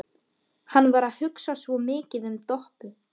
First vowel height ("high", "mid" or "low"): low